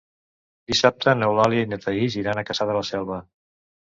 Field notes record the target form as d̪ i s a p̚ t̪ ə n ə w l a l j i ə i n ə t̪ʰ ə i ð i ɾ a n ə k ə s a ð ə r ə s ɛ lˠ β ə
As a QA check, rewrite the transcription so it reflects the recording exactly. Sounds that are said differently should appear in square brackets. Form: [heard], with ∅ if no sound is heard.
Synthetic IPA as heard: d̪ i s a p̚ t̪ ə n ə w l a l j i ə i n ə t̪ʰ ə i [z] i ɾ a n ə k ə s a ð ə [l] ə s ɛ lˠ β ə